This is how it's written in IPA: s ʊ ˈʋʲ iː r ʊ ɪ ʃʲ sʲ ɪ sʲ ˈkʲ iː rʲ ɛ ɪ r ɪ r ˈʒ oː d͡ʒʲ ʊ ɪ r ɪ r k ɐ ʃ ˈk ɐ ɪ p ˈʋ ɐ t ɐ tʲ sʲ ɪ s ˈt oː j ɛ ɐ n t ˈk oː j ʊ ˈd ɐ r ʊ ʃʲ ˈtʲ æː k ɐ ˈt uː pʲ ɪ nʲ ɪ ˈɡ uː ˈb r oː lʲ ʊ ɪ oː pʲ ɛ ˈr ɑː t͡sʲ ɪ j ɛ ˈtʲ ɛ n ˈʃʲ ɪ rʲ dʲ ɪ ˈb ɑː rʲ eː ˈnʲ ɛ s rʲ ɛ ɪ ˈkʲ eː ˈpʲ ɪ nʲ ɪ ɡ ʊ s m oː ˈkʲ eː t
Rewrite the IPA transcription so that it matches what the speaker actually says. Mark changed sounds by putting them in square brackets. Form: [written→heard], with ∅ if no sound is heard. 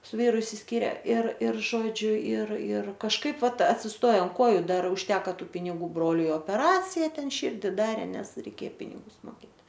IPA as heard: s ʊ ˈʋʲ iː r ʊ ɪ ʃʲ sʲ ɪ sʲ ˈkʲ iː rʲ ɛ ɪ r ɪ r ˈʒ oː d͡ʒʲ ʊ ɪ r ɪ r k ɐ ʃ ˈk ɐ ɪ p ˈʋ ɐ t ɐ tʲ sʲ ɪ s ˈt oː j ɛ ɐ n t ˈk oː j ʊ ˈd ɐ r ʊ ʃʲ ˈtʲ æː k ɐ ˈt uː pʲ ɪ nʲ ɪ ˈɡ uː ˈb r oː lʲ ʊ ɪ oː pʲ ɛ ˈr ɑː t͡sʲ ɪ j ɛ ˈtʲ ɛ n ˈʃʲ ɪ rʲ dʲ ɪ [ˈb→ˈd] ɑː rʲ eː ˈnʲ ɛ s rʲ ɛ ɪ ˈkʲ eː ˈpʲ ɪ nʲ ɪ ɡ ʊ s m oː ˈkʲ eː t